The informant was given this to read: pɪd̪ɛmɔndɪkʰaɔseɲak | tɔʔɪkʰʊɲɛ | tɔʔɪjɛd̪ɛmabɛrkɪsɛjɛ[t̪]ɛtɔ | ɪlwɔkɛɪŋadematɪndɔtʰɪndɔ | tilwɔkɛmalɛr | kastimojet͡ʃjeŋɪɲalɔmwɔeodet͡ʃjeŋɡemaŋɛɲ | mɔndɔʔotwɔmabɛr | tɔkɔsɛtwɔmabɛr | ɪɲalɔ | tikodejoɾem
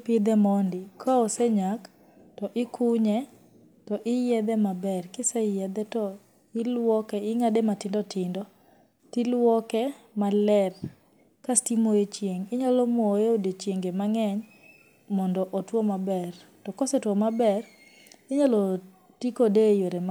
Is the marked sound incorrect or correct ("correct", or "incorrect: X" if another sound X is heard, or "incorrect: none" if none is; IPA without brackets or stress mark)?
incorrect: d̪